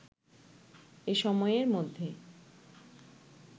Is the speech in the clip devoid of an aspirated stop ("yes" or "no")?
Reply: yes